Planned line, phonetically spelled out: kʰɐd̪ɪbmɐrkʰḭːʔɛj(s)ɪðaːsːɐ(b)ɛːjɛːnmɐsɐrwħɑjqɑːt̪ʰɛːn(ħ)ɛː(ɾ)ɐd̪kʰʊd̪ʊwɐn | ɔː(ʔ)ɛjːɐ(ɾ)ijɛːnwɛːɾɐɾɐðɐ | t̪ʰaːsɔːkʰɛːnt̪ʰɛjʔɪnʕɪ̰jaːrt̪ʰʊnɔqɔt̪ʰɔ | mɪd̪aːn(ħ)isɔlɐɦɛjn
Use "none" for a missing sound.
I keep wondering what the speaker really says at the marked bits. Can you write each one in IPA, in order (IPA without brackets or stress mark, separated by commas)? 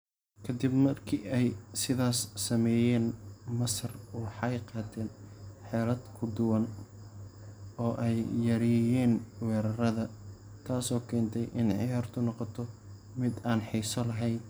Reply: s, m, ħ, ɾ, ʔ, ɾ, ħ